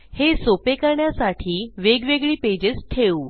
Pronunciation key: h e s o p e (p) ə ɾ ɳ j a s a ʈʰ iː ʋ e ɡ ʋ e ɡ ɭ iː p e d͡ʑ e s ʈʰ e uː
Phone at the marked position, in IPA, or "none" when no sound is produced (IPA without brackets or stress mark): k